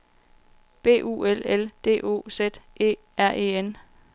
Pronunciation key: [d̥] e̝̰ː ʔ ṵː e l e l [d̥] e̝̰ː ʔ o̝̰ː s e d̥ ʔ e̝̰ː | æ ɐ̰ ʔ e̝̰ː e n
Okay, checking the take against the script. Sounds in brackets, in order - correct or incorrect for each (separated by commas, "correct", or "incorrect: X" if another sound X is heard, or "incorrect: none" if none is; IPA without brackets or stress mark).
incorrect: b̥, correct